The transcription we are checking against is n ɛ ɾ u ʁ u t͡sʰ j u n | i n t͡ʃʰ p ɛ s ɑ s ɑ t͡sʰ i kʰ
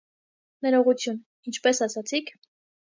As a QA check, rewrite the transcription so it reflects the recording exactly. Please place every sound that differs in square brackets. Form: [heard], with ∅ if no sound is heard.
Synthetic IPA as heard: n ɛ ɾ [ɔ] ʁ u t͡sʰ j u n | i n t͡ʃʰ p ɛ s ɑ s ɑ t͡sʰ i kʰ